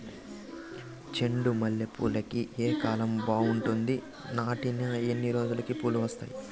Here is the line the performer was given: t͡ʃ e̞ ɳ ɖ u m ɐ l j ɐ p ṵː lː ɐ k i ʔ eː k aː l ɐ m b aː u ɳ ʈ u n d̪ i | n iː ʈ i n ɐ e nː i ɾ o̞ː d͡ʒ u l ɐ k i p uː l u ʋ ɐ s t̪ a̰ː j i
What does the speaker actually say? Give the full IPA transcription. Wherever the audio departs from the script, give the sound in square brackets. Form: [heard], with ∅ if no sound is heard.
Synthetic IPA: t͡ʃ e̞ ɳ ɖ u m ɐ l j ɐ p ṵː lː ɐ k i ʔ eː k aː l ɐ m b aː u ɳ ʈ u n d̪ i | n [aː] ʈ i n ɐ e nː i ɾ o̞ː d͡ʒ u l ɐ k i p uː l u ʋ ɐ s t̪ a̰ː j i